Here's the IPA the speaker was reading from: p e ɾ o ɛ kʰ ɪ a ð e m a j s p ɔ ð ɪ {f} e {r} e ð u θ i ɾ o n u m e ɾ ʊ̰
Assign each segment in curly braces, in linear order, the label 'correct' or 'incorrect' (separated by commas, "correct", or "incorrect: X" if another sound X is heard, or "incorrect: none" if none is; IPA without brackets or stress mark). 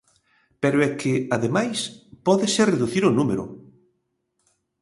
incorrect: s, correct